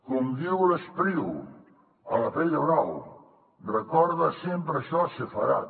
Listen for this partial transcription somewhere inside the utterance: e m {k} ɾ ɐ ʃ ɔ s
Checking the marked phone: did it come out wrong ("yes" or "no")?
yes